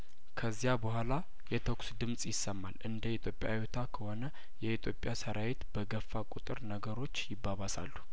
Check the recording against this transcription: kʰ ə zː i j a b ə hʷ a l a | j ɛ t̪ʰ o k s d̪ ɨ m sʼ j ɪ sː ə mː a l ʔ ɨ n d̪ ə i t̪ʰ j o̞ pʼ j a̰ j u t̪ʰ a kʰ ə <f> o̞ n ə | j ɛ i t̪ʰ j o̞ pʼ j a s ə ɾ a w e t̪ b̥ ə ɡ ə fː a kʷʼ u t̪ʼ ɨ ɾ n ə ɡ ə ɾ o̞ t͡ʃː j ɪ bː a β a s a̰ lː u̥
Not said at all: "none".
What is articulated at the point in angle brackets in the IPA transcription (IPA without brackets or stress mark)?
h